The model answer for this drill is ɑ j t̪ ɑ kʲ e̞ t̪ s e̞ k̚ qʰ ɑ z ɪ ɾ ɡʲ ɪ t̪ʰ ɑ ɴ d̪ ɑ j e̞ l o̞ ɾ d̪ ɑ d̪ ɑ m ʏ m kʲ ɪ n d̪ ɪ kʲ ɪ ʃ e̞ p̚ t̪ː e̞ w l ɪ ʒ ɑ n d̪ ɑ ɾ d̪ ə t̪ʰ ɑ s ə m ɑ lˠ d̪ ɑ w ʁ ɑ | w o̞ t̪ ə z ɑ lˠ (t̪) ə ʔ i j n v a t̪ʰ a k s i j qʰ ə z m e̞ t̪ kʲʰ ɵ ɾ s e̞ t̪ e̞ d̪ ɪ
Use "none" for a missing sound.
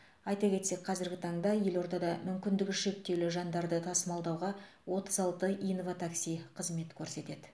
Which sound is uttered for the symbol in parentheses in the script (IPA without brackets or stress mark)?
t̪